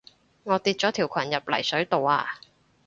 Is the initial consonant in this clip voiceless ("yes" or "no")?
no